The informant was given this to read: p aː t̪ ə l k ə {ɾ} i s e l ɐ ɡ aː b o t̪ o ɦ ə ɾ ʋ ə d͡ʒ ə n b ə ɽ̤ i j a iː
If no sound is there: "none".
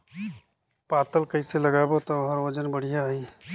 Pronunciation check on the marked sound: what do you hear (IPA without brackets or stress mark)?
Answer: none